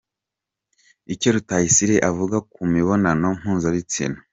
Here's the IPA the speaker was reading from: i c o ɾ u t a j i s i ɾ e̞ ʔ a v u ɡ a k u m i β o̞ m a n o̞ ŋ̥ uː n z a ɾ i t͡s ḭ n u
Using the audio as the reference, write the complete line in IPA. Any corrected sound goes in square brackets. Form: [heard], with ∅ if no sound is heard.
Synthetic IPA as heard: i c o ɾ u t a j i s i ɾ e̞ ʔ a v u ɡ a k u m i β o̞ [n] a n o̞ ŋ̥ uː n z a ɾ i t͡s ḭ n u